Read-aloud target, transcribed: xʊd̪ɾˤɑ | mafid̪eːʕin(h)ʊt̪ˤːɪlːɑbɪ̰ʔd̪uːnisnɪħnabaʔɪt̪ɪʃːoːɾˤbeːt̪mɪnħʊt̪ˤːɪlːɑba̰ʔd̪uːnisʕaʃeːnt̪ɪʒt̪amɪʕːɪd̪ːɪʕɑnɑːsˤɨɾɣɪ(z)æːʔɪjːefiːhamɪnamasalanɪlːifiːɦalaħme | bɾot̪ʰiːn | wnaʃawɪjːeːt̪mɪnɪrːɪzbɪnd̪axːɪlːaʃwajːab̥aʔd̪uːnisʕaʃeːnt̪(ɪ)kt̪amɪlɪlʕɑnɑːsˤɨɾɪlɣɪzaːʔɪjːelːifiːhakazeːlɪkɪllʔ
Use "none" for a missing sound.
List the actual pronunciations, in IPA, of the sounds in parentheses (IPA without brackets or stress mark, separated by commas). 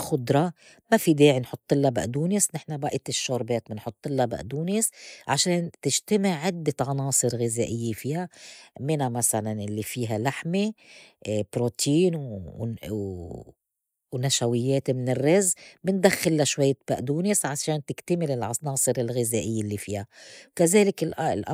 ħ, z, ɪ